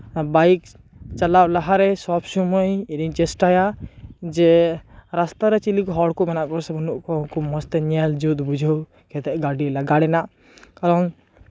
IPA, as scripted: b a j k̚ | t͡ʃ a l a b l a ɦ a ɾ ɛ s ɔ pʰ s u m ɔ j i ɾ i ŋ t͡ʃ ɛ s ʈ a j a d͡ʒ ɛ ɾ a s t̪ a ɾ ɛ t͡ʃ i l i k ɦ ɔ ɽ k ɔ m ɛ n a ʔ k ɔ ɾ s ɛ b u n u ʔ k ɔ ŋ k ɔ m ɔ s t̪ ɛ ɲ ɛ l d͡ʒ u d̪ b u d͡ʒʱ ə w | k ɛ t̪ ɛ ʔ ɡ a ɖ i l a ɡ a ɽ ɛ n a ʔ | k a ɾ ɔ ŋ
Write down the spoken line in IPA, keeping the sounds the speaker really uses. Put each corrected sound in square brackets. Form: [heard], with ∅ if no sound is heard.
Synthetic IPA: b a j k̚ | t͡ʃ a l a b l a ɦ a ɾ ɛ s ɔ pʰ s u m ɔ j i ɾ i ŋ t͡ʃ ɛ s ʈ a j a d͡ʒ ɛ ɾ a s t̪ a ɾ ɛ t͡ʃ i l i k ɦ ɔ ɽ k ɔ m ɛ n a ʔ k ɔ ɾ s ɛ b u n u ʔ k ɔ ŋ k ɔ m ɔ s t̪ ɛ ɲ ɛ l d͡ʒ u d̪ b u d͡ʒʱ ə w | k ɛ t̪ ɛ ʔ ɡ a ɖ i l a ɡ a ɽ ɛ n a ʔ | k a ɾ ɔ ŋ